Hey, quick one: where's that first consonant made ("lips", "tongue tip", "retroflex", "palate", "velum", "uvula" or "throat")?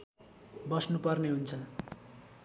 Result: lips